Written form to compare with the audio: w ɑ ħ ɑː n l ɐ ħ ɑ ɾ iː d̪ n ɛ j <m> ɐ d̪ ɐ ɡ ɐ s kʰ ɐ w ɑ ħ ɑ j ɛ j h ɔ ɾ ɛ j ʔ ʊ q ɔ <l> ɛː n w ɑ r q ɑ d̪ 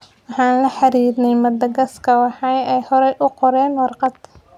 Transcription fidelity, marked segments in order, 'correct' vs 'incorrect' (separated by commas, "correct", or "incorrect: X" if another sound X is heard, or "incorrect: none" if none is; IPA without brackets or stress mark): correct, incorrect: ɾ